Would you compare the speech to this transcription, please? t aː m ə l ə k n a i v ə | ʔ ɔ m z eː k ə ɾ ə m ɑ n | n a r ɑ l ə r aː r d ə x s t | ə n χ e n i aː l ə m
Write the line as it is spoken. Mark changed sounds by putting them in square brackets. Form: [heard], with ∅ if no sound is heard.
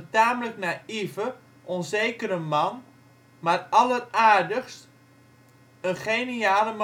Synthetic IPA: t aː m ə l ə k n a i v ə | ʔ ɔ [n] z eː k ə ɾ ə m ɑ n | [m] a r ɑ l ə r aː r d ə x s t | ə n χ e n i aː l ə m

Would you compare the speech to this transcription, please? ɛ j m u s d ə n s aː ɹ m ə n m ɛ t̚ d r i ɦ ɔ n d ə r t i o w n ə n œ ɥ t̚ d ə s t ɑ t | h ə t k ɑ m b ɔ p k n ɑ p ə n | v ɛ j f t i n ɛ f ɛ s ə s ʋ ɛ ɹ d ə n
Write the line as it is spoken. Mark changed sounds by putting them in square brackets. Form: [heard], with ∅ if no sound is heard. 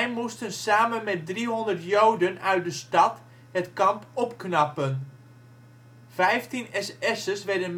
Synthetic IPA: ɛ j m u s [t] ə n s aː [∅] m ə n m ɛ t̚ d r i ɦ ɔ n d ə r t [j] o w [d] ə n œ ɥ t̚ d ə s t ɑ t | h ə t k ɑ m [p] ɔ p k n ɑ p ə n | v ɛ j f t i n ɛ [s] ɛ s ə s ʋ ɛ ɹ d ə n

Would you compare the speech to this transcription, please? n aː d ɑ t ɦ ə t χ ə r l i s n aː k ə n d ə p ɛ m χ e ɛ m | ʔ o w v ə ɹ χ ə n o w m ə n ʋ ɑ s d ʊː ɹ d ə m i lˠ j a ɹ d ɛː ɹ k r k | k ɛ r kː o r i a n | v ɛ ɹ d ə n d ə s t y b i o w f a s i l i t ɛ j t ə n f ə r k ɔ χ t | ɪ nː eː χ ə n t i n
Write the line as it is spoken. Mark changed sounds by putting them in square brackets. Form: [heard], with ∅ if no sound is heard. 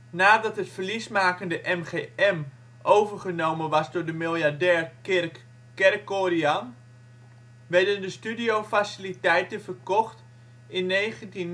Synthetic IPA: n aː d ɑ t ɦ ə t [f] ə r l i s [m] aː k ə n d ə [ʔ] ɛ m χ e ɛ m | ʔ o w v ə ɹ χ ə n o w m ə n ʋ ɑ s d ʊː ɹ d ə m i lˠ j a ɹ d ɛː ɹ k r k | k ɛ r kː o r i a n | [ʋ] ɛ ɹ d ə n d ə s t y [d] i o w f a s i l i t ɛ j t ə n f ə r k ɔ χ t | ɪ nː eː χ ə n t i n

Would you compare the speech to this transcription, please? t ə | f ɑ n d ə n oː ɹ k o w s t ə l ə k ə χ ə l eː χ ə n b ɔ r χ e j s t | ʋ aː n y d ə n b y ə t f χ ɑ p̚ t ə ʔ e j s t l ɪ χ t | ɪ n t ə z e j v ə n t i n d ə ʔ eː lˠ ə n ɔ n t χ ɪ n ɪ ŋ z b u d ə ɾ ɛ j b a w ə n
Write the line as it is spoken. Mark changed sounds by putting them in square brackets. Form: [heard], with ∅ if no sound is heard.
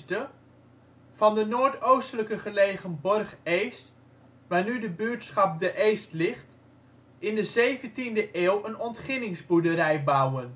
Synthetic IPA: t ə | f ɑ n d ə n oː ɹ [t] o w s t ə l ə k ə χ ə l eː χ ə n b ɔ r χ e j s t | ʋ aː n y d ə [∅] b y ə t [s] χ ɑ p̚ [d] ə ʔ e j s t l ɪ χ t | ɪ n [d] ə z e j v ə n t i n d ə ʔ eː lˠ ə n ɔ n t χ ɪ n ɪ ŋ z b u d ə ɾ ɛ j b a w ə n

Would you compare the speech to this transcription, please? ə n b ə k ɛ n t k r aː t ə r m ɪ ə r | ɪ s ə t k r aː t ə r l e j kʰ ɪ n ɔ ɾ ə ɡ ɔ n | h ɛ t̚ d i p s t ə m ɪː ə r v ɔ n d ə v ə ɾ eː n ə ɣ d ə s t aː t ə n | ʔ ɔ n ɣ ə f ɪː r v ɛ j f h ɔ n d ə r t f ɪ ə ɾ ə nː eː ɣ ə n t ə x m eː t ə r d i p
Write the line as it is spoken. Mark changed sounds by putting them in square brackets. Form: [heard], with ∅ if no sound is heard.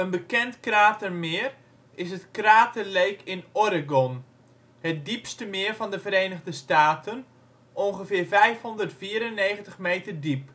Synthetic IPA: ə n b ə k ɛ n t k r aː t ə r m ɪ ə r | ɪ s ə t k r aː t ə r l e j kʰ ɪ n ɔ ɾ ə ɡ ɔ n | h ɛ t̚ d i p s t ə m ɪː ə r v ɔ n d ə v ə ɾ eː n ə ɣ d ə s t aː t ə n | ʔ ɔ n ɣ ə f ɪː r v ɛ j f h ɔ n d ə r t f [i] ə ɾ ə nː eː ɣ ə n t ə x m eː t ə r d i p

